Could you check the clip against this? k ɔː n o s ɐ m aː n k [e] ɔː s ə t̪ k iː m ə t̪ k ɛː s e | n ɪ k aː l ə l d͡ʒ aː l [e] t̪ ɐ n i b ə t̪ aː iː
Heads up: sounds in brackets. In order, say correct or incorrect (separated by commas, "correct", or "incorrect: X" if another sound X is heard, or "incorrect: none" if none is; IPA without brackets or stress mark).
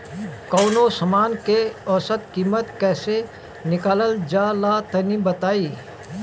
correct, incorrect: a